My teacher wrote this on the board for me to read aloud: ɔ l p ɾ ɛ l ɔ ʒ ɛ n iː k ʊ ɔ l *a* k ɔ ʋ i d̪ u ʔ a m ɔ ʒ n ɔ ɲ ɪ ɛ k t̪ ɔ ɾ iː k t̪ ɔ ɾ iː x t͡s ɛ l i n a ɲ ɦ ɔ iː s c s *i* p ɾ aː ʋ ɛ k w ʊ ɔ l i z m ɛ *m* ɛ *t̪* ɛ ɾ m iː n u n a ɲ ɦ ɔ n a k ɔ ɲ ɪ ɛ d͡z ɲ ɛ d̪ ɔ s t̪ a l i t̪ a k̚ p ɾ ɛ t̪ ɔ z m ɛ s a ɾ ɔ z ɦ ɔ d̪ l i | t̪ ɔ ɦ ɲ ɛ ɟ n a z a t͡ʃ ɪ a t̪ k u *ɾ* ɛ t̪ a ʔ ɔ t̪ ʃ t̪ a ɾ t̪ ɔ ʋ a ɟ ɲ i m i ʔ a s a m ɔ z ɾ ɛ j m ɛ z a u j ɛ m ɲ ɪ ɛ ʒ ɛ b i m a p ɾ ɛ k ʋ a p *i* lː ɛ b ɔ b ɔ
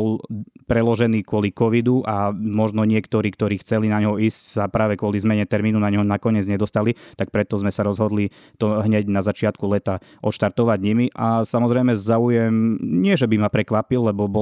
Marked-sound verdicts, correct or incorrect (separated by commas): incorrect, incorrect, incorrect, correct, incorrect, correct